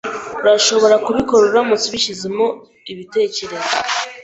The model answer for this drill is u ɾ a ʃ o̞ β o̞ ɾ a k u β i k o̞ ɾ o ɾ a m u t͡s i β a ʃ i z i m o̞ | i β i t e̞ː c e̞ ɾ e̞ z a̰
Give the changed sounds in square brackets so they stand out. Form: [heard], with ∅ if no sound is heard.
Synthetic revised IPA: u ɾ a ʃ o̞ β o̞ ɾ a k u β i k o̞ ɾ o ɾ a m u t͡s i β [i] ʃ i z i m o̞ | i β i t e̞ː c e̞ ɾ e̞ z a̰